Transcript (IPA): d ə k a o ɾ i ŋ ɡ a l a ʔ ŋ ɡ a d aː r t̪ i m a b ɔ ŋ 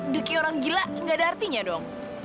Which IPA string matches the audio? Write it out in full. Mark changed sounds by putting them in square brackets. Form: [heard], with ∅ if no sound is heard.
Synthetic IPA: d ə k [i] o ɾ [a] ŋ ɡ [i] l a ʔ ŋ ɡ a d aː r t̪ i [ɲ] a [d] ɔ ŋ